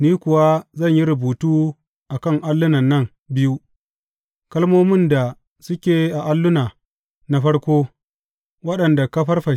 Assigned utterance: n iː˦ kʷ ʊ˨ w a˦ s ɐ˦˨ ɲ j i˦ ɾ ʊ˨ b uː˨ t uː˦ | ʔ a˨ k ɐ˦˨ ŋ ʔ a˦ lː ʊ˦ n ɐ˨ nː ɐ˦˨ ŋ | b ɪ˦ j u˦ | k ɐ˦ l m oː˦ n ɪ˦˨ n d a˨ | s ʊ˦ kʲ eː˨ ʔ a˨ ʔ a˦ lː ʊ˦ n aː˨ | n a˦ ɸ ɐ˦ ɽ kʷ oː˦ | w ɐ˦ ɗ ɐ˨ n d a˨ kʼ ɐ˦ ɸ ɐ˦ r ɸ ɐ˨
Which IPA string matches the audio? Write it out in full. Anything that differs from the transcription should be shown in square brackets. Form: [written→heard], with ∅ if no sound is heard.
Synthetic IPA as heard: n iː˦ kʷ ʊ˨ w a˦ [s→z] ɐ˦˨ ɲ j i˦ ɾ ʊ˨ b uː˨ t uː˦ | ʔ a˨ k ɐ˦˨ ŋ ʔ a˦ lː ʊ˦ n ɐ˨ nː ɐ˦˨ ŋ | b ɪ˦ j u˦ | k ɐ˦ l m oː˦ [n→m] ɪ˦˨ n d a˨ | s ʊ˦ kʲ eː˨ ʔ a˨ ʔ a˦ lː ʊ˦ n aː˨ | n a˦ ɸ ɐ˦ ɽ kʷ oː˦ | w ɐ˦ ɗ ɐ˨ n d a˨ [kʼ→k] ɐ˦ ɸ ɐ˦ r ɸ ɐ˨